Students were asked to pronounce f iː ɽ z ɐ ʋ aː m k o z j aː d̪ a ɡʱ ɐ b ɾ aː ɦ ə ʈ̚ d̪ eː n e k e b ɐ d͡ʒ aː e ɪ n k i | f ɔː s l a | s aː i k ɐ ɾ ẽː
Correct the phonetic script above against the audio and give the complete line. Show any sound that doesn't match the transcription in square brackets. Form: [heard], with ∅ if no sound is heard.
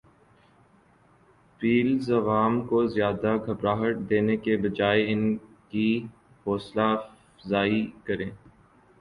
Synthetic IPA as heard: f iː [l] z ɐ ʋ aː m k o z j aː d̪ a ɡʱ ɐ b ɾ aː ɦ ə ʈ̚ d̪ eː n e k e b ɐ d͡ʒ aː e ɪ n k i | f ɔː s l a | [z] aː i k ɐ ɾ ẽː